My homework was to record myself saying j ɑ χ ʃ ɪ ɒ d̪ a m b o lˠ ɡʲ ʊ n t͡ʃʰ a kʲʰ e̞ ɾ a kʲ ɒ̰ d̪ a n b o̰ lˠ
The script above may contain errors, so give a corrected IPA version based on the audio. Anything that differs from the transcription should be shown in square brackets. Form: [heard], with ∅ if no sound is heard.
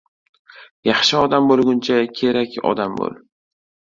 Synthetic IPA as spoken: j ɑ χ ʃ ɪ ɒ d̪ a m b o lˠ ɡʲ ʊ n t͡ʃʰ a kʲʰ e̞ ɾ a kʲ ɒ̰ d̪ a [m] b o̰ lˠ

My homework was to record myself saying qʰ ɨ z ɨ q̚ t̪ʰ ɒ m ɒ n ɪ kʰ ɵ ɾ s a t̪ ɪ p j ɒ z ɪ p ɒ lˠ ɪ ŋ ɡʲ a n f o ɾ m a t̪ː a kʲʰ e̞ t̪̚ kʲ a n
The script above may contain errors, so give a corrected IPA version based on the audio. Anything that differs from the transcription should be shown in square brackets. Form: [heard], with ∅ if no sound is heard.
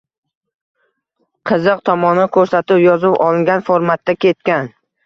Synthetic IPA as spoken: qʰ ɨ z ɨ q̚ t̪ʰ ɒ m ɒ n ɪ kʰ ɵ ɾ s a t̪ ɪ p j ɒ z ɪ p ɒ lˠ ɪ ŋ ɡʲ a n f o ɾ m a t̪ː a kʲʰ e̞ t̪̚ kʲ a n

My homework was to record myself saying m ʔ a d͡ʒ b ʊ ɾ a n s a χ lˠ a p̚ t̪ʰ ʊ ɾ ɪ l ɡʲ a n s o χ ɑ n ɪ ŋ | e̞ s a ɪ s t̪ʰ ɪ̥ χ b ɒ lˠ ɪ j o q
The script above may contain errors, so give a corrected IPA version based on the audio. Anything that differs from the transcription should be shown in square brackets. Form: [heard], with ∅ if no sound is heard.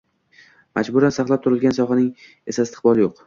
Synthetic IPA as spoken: m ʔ a d͡ʒ b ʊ ɾ a n s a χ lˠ a p̚ t̪ʰ ʊ ɾ ɪ l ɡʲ a n s [ɒ] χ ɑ n ɪ ŋ | e̞ s a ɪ s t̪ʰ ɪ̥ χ b ɒ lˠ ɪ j o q

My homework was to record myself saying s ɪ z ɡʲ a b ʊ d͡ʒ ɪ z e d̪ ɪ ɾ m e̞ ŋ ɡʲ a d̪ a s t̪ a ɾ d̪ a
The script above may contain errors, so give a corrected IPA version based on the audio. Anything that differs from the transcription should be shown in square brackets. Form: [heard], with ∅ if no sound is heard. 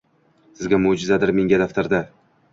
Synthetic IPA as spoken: s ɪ z ɡʲ a [m] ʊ d͡ʒ ɪ z [a] d̪ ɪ ɾ m e̞ ŋ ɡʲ a d̪ a [f] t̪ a ɾ d̪ a

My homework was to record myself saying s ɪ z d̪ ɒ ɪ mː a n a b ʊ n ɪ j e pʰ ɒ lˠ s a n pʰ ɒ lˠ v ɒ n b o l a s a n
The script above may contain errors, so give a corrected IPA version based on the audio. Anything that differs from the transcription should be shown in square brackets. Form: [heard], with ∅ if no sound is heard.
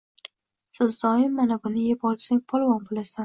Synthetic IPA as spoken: s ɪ z d̪ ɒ ɪ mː a n a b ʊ n ɪ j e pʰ ɒ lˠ s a [ŋ] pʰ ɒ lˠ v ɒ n b o l a s a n

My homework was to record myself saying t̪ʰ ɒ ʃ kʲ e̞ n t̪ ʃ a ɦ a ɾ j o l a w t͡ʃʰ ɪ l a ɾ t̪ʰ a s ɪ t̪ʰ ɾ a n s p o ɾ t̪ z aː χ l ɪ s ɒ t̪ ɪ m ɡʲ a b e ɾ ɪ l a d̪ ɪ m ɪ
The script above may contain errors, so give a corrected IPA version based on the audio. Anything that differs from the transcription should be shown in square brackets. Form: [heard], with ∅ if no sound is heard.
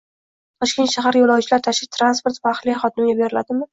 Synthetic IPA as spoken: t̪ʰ ɒ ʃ kʲ e̞ n t̪ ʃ a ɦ a ɾ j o l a w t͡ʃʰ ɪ l a ɾ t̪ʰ a [ʃ] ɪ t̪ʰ ɾ a n s p o ɾ t̪ [v] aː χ l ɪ [χ] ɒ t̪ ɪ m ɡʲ a b e ɾ ɪ l a d̪ ɪ m ɪ

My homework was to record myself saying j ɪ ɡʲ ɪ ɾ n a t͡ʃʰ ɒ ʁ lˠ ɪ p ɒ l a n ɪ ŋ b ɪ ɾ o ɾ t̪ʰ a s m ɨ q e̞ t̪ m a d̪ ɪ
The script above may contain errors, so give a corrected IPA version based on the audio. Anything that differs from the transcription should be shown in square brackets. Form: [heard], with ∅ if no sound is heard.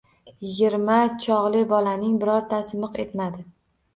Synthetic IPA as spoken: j ɪ ɡʲ ɪ ɾ [m] a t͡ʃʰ ɒ ʁ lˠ ɪ [b] ɒ l a n ɪ ŋ b ɪ ɾ [ɒ] ɾ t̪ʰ a s m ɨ q e̞ t̪ m a d̪ ɪ

